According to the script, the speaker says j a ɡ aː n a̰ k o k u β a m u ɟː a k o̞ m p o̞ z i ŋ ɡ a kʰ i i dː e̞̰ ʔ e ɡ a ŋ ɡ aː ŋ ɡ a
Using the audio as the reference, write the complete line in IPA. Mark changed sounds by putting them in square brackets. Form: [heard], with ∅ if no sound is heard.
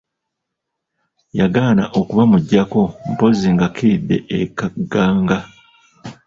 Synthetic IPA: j a ɡ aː n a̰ [ʔ] o k u β a m u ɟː a k o̞ m p o̞ z i ŋ ɡ a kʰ i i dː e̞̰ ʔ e [k] a [∅] ɡ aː ŋ ɡ a